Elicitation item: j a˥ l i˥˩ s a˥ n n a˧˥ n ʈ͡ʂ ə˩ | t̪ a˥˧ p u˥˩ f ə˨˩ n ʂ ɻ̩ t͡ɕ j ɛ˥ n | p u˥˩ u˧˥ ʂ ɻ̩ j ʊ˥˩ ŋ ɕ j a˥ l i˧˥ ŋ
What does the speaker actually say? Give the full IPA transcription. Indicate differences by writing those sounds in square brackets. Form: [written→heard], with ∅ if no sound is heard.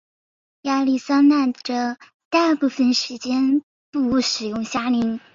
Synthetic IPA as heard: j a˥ l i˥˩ s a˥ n n [a˧˥→a˥˩] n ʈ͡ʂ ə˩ | t̪ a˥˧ p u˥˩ f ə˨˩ n ʂ ɻ̩ t͡ɕ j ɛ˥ n | p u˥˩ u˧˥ ʂ ɻ̩ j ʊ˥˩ ŋ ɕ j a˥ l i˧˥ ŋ